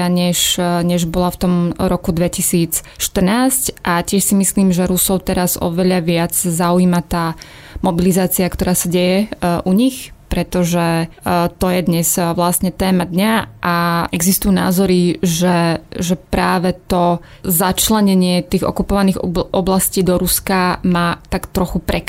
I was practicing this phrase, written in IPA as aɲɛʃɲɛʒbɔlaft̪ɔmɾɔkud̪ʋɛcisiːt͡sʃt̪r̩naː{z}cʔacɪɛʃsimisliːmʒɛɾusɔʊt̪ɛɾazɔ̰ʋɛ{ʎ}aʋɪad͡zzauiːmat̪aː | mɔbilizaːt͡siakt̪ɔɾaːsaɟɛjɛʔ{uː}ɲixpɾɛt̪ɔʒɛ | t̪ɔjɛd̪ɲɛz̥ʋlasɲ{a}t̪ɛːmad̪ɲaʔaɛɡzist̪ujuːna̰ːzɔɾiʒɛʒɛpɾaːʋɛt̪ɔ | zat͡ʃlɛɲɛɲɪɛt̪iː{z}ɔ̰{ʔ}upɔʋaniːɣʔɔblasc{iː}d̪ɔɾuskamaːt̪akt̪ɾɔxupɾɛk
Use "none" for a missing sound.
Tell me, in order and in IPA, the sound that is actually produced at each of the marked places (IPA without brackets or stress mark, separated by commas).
s, ʎ, u, ɛ, ɣ, k, iː